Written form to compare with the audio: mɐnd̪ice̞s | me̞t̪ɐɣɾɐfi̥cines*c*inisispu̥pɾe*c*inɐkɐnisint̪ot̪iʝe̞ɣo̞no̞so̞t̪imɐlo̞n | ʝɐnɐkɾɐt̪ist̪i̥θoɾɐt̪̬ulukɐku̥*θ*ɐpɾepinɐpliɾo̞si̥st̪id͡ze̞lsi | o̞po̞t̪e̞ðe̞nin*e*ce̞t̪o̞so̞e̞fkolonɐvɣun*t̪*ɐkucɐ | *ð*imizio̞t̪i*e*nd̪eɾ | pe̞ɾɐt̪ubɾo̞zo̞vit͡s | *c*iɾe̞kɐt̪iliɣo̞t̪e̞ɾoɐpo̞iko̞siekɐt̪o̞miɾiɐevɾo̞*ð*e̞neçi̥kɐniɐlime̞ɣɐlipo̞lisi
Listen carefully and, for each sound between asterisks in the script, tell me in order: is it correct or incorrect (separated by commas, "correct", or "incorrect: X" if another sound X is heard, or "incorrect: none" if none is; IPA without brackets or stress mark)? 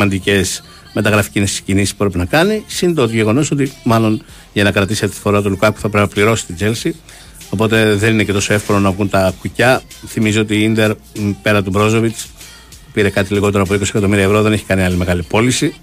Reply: correct, incorrect: p, correct, correct, correct, incorrect: θ, incorrect: i, incorrect: p, correct